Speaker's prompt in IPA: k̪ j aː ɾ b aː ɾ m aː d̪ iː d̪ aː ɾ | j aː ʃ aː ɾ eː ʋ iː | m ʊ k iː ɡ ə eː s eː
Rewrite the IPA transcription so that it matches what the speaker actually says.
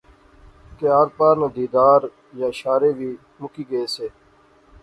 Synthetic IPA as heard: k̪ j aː ɾ p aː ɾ n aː d̪ iː d̪ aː ɾ | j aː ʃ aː ɾ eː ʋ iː | m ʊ k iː ɡ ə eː s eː